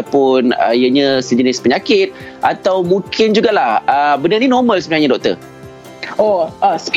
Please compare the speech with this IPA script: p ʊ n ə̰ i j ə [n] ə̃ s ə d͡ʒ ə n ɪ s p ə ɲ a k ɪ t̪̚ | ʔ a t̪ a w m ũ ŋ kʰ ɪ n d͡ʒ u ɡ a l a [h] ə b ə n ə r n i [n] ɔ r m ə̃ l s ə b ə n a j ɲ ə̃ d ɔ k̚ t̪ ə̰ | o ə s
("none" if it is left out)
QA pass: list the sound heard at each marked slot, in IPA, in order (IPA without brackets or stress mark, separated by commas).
ɲ, h, n